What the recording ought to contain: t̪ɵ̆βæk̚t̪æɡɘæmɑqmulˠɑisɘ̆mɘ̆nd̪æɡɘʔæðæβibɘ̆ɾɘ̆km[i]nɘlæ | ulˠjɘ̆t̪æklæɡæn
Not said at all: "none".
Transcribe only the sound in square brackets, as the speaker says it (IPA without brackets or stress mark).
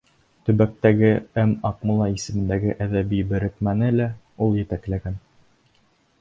æ